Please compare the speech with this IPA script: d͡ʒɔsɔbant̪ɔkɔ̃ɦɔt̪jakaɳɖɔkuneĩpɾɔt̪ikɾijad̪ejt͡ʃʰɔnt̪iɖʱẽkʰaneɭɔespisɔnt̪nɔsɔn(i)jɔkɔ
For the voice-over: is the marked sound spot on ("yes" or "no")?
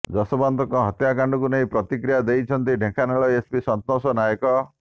no